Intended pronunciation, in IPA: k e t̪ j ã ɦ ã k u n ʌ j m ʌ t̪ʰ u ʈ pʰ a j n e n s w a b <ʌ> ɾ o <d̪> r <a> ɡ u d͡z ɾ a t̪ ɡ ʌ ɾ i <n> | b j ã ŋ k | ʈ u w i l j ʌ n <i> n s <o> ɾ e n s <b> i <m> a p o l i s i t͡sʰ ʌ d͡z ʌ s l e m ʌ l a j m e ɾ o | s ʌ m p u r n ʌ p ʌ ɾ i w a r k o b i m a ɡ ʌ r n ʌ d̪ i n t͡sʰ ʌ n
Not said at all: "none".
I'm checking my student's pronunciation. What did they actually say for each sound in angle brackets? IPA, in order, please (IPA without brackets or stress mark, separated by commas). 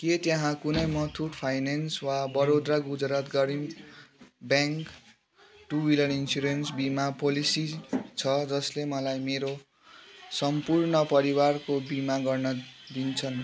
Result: ʌ, d̪, a, m, i, u, b, m